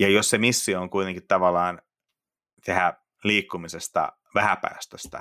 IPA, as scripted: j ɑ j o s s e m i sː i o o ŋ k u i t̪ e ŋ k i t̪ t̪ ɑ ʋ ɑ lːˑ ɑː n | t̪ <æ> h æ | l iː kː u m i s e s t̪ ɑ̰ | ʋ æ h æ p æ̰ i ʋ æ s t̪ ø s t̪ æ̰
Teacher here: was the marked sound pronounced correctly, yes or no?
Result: no